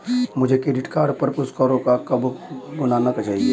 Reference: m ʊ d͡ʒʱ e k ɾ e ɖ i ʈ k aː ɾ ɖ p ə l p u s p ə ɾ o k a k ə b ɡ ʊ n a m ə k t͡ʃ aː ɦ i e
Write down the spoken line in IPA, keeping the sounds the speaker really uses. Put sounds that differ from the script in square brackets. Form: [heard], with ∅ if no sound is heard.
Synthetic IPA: m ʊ d͡ʒʱ e k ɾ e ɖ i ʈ k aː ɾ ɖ p ə [ɾ] p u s [k] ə ɾ o k a k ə b ɡ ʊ n a [n] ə k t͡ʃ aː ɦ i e

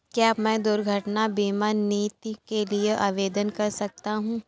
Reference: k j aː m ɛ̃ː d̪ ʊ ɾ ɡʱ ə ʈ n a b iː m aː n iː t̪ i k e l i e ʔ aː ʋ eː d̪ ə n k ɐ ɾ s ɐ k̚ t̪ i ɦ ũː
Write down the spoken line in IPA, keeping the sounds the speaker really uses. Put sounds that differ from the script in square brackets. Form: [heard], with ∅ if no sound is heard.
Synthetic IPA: k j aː m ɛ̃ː d̪ ʊ ɾ ɡʱ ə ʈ n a b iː m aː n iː t̪ i k e l i e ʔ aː ʋ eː d̪ ə n k ɐ ɾ s ɐ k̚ t̪ [a] ɦ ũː

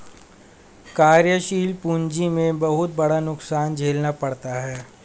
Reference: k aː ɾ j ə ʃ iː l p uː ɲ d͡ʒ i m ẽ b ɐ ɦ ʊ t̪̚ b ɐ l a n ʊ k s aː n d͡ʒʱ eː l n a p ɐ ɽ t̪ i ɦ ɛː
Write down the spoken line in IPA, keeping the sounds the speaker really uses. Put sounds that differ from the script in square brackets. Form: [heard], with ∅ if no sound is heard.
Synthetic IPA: k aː ɾ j ə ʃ iː l p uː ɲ d͡ʒ i m ẽ b ɐ ɦ ʊ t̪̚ b ɐ [ɽ] a n ʊ k s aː n d͡ʒʱ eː l n a p ɐ ɽ t̪ [a] ɦ ɛː

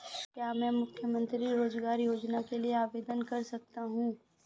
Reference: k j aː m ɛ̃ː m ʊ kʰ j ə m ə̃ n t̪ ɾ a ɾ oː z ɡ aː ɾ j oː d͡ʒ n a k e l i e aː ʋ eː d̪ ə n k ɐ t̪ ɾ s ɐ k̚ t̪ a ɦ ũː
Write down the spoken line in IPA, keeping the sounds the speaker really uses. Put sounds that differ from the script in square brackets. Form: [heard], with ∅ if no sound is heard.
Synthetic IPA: k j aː m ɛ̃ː m ʊ kʰ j ə m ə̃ n t̪ ɾ [i] ɾ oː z ɡ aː ɾ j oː d͡ʒ n a k e l i e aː ʋ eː d̪ ə n k ɐ [∅] ɾ s ɐ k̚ t̪ a ɦ ũː

